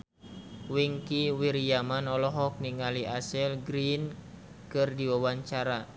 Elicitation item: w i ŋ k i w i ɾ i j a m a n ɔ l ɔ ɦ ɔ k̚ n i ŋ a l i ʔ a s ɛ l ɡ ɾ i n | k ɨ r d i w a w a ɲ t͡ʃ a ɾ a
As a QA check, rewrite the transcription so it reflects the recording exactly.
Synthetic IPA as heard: w i ŋ k i w i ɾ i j a m a n ɔ l ɔ ɦ ɔ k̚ n i ŋ a l i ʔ a s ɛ l ɡ ɾ i n | k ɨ r d i w a w a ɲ t͡ʃ a ɾ a

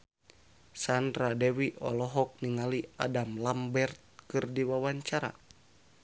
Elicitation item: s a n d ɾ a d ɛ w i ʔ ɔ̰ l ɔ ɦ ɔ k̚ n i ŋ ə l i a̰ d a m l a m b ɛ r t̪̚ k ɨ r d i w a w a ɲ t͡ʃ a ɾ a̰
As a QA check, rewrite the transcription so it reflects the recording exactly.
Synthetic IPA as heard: s a n d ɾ a d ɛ w i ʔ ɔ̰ l ɔ ɦ ɔ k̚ n i ŋ a l i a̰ d a m l a m b ɛ r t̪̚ k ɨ r d i w a w a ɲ t͡ʃ a ɾ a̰

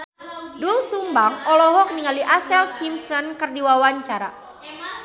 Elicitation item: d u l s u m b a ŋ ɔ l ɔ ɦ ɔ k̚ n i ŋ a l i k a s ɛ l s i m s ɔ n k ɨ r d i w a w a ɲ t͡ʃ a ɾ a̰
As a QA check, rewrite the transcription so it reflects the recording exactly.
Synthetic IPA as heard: d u l s u m b a ŋ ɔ l ɔ ɦ ɔ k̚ n i ŋ a l i ʔ a s ɛ l s i m s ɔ n k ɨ r d i w a w a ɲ t͡ʃ a ɾ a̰

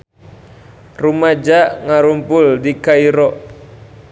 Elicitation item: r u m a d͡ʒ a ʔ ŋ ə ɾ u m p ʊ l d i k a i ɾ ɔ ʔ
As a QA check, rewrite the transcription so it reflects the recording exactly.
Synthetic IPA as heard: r u m a d͡ʒ a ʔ ŋ a ɾ u m p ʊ l d i k a i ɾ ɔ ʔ

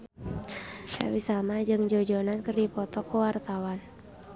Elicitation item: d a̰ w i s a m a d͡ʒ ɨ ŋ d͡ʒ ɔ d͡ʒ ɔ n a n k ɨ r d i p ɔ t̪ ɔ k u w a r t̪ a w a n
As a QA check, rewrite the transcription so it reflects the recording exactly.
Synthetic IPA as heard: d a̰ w i s a m a d͡ʒ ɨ ŋ d͡ʒ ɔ d͡ʒ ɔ n a n k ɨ r d i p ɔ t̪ ɔ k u w a r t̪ a w a n

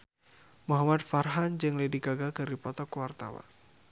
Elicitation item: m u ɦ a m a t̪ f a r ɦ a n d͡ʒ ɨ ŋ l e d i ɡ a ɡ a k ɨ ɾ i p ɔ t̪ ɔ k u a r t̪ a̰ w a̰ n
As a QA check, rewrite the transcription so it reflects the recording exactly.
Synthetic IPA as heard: m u ɦ a m a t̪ f a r ɦ a n d͡ʒ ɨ ŋ l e d i ɡ a ɡ a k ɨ ɾ i p ɔ t̪ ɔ k w a r t̪ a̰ w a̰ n

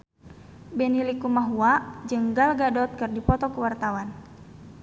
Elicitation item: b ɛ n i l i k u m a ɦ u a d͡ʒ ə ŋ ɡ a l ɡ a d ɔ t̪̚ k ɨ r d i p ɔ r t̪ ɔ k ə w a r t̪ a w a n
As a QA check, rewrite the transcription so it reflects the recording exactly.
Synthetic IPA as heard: b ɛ n i l i k u m a ɦ u a d͡ʒ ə ŋ ɡ a l ɡ a d ɔ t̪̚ k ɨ r d i p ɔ t̪ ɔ k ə w a r t̪ a w a n

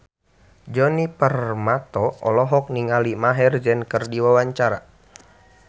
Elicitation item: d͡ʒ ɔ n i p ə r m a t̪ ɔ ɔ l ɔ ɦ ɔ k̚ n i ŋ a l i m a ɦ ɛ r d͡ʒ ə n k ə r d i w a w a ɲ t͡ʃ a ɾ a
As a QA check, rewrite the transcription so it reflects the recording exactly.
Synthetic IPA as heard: d͡ʒ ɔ n i p ə r m a t̪ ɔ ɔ l ɔ ɦ ɔ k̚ n i ŋ a l i m a ɦ ɛ r d͡ʒ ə n k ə r d i w a w a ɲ t͡ʃ a ɾ a

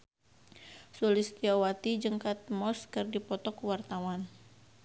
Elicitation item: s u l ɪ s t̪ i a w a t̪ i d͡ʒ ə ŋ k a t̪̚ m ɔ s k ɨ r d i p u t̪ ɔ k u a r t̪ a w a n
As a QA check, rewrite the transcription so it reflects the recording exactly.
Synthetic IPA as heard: s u l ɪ s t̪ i a w a t̪ i d͡ʒ ə ŋ k a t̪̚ m ɔ s k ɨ r d i p ɔ t̪ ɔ k w a r t̪ a w a n

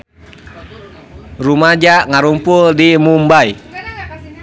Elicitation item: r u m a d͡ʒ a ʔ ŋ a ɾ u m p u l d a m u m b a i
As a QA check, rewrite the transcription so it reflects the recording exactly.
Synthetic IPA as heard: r u m a d͡ʒ a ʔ ŋ a ɾ u m p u l d i m u m b a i

